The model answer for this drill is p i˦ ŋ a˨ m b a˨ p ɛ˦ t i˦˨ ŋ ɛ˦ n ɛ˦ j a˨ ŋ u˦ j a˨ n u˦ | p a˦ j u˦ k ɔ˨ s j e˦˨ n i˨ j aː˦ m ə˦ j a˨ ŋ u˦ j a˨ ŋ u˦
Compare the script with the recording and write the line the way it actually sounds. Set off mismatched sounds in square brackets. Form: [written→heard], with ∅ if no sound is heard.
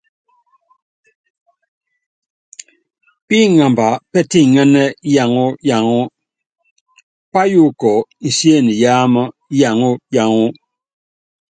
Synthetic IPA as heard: p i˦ ŋ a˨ m b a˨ p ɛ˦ t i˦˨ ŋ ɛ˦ n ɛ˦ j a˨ ŋ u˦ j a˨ [n→ŋ] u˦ | p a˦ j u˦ k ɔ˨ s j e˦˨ n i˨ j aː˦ m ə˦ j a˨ ŋ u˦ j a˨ ŋ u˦